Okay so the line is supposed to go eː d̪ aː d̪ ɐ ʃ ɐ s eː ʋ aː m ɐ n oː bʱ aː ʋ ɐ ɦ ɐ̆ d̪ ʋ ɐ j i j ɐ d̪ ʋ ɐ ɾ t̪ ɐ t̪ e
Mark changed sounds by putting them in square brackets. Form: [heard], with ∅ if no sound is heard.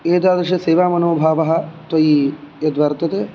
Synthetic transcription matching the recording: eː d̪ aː d̪ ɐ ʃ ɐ s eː ʋ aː m ɐ n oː bʱ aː ʋ ɐ ɦ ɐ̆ [t̪] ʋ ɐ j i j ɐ d̪ ʋ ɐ ɾ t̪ ɐ t̪ e